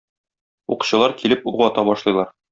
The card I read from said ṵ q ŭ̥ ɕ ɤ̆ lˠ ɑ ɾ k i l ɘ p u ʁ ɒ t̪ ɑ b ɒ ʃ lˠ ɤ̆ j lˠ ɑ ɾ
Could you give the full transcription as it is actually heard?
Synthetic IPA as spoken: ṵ q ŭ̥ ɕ ɤ̆ lˠ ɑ ɾ k i l ɘ p u ʁ ɒ t̪ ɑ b ɒ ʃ lˠ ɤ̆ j lˠ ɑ ɾ